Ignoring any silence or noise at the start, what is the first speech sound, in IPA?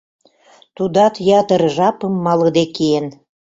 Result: t̪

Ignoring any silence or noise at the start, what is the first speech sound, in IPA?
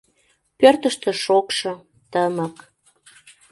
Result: p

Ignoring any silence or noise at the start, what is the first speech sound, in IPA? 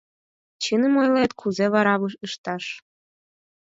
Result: t͡ɕ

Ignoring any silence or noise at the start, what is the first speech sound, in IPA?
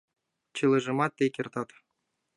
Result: t͡ɕ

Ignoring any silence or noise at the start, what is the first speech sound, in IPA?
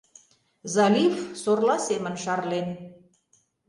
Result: z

